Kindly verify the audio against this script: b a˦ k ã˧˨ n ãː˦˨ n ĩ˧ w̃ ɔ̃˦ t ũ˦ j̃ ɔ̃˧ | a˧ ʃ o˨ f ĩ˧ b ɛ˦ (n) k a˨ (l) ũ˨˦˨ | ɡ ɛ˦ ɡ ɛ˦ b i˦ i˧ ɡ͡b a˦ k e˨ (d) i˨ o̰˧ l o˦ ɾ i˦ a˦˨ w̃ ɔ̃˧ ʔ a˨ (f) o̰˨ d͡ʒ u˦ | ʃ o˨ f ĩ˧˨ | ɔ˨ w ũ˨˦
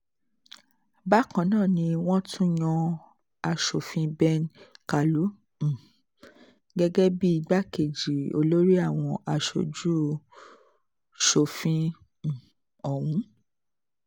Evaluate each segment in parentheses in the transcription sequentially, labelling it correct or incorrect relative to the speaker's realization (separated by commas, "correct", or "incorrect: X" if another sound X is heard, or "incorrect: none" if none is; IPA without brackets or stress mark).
correct, correct, incorrect: d͡ʒ, incorrect: ʃ